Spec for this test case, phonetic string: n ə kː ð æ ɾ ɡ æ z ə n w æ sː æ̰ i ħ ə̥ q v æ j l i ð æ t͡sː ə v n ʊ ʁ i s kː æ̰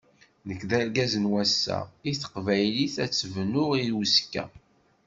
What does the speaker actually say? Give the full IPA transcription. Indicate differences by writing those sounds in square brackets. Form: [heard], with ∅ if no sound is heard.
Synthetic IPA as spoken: n ə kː ð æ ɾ ɡ æ z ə n w æ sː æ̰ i [θ] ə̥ q v æ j l i [θ] æ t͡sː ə v n ʊ ʁ i s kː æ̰